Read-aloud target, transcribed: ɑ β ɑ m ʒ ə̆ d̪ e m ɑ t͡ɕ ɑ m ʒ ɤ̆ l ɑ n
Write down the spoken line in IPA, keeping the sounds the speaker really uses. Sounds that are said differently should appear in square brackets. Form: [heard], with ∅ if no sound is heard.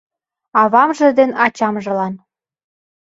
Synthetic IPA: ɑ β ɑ m ʒ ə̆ d̪ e [n] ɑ t͡ɕ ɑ m ʒ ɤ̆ l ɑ n